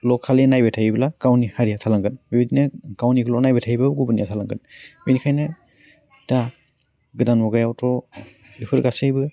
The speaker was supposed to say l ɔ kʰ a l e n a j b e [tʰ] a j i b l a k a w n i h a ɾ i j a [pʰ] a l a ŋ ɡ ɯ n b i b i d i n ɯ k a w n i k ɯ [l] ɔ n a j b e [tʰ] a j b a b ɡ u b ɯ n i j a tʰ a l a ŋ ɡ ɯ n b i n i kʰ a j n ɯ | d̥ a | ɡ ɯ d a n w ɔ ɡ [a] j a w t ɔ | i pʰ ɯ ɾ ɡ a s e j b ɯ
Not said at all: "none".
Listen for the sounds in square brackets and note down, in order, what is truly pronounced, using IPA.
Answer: tʰ, tʰ, l, tʰ, a

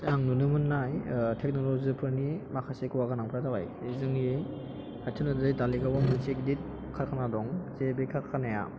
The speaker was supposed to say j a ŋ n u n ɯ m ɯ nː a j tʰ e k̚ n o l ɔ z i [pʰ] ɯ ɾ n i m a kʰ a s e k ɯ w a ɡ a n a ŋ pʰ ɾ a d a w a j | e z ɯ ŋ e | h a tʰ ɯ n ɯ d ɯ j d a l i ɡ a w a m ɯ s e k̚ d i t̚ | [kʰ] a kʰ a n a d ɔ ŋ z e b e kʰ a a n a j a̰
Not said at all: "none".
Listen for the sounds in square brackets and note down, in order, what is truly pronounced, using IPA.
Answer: pʰ, kʰ

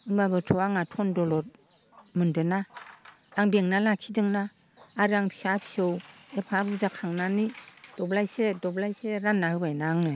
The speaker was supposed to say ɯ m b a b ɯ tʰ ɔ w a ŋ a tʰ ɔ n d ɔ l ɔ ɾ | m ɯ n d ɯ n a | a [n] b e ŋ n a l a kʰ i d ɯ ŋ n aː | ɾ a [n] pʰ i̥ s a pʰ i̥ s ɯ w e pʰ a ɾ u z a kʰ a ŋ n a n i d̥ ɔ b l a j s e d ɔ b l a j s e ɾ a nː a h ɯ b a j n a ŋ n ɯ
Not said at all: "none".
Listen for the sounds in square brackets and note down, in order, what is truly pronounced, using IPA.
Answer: ŋ, ŋ

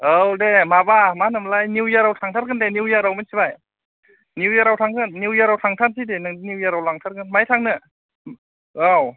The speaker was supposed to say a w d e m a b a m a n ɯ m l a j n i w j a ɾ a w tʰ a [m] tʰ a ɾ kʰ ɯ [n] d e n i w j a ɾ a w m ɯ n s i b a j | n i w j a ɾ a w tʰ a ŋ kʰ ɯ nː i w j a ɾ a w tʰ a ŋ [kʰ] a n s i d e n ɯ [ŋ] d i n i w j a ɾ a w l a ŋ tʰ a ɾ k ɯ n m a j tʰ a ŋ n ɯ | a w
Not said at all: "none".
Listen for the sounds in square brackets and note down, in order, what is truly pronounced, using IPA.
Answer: ŋ, n, tʰ, ŋ

